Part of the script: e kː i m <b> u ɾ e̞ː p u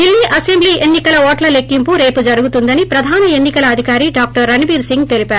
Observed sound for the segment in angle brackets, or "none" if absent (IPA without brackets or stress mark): p